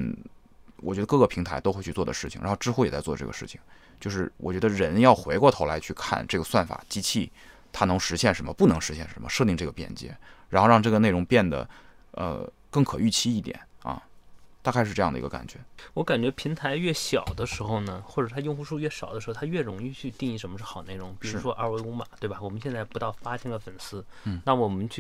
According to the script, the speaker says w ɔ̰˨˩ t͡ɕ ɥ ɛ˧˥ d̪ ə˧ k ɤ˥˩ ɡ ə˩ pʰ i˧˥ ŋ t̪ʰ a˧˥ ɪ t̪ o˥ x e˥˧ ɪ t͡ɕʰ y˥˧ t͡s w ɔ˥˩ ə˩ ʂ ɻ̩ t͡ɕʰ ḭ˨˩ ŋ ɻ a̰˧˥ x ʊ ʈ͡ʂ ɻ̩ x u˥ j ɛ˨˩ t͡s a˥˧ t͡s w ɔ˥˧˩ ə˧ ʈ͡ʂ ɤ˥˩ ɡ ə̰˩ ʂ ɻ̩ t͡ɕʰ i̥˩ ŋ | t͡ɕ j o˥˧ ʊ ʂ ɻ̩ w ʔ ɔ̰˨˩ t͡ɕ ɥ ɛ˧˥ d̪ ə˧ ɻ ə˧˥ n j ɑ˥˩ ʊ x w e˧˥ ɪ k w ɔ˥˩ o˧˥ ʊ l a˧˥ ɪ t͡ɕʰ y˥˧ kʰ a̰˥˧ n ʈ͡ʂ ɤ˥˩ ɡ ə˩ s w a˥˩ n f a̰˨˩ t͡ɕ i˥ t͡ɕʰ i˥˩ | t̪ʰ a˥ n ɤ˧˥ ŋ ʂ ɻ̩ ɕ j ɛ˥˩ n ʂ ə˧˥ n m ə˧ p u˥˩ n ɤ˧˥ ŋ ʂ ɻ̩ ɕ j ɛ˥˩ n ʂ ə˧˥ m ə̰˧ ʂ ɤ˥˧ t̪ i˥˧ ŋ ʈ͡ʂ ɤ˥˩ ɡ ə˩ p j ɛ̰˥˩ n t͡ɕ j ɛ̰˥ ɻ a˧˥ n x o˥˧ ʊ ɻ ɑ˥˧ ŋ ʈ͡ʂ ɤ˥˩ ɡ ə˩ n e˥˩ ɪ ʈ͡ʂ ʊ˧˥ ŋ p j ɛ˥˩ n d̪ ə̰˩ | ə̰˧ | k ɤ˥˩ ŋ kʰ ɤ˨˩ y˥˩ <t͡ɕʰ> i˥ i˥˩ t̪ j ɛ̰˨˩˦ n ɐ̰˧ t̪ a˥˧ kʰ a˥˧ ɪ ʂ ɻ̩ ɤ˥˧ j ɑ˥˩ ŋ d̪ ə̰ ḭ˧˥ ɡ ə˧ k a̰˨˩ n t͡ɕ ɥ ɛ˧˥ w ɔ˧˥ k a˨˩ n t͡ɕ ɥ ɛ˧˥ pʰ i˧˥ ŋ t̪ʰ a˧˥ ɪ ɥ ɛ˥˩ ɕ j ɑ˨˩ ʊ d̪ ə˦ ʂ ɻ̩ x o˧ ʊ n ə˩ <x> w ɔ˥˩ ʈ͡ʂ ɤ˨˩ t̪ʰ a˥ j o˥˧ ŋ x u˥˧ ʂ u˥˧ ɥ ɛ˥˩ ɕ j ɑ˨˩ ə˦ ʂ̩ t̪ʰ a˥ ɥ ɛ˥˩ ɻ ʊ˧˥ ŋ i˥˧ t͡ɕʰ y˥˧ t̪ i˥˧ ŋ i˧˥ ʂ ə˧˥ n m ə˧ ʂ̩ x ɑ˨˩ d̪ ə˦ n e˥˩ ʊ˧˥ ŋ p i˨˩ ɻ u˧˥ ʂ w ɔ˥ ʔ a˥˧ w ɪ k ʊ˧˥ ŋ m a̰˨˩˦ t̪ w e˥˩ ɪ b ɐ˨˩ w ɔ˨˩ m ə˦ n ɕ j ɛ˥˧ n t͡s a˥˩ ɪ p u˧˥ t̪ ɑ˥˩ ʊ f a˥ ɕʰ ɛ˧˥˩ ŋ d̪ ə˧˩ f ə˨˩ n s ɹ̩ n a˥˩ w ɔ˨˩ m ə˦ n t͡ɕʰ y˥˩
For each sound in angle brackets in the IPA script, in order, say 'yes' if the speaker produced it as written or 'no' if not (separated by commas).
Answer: yes, yes